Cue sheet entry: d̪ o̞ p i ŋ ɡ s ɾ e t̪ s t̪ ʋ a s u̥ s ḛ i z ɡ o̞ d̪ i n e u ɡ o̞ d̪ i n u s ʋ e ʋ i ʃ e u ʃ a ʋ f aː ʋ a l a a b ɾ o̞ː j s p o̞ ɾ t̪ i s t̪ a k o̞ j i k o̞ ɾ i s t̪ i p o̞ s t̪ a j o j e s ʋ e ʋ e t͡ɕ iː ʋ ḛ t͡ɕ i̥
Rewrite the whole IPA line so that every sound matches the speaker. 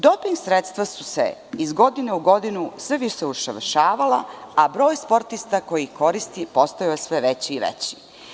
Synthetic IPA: d̪ o̞ p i ŋ ɡ s ɾ e t̪ s t̪ ʋ a s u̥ s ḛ i z ɡ o̞ d̪ i n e u ɡ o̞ d̪ i n u s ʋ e ʋ i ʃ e u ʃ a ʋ ʃ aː ʋ a l a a b ɾ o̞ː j s p o̞ ɾ t̪ i s t̪ a k o̞ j i k o̞ ɾ i s t̪ i p o̞ s t̪ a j o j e s ʋ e ʋ e t͡ɕ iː ʋ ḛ t͡ɕ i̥